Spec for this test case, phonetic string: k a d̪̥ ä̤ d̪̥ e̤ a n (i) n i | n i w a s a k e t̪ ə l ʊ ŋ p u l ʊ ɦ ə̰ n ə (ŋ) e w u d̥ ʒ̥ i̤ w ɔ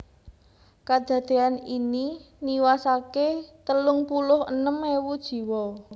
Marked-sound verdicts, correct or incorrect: correct, incorrect

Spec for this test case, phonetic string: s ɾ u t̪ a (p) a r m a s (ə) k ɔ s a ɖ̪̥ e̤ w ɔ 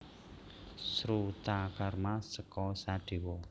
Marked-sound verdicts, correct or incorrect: incorrect, correct

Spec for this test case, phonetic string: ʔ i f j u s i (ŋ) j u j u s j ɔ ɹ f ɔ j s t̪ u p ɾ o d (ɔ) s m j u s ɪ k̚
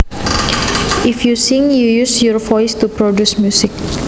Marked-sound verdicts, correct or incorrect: correct, incorrect

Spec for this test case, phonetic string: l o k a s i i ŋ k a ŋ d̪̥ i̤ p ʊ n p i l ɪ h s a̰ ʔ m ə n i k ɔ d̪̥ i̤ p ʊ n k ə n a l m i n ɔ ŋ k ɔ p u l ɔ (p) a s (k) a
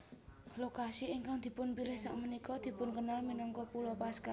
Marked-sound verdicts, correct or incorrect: correct, correct

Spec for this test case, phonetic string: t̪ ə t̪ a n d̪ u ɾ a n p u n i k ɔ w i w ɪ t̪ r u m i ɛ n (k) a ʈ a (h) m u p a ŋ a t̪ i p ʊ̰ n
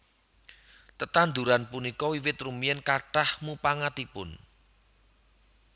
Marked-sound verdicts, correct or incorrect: correct, correct

